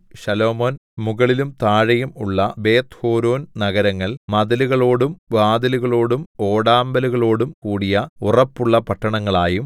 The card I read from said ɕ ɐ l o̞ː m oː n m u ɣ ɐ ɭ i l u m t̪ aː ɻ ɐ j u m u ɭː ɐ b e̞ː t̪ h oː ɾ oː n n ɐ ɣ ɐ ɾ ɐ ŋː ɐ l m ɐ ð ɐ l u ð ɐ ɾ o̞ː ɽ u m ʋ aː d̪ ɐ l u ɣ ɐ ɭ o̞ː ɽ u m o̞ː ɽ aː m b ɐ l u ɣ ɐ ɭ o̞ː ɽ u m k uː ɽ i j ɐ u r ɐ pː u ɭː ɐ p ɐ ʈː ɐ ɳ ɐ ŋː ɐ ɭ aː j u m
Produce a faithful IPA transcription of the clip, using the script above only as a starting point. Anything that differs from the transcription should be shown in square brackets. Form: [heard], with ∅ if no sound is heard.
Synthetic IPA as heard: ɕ ɐ l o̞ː m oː n m u ɣ ɐ ɭ i l u m t̪ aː ɻ ɐ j u m u ɭː ɐ b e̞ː t̪ h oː ɾ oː n n ɐ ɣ ɐ ɾ ɐ ŋː ɐ [ɭ] m ɐ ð ɐ l u [ɣ] ɐ [ɭ] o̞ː ɽ u m ʋ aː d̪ ɐ l u ɣ ɐ ɭ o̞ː ɽ u m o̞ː ɽ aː m b ɐ l u ɣ ɐ ɭ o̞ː ɽ u m k uː ɽ i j ɐ u r ɐ pː u ɭː ɐ p ɐ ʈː ɐ ɳ ɐ ŋː ɐ ɭ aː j u m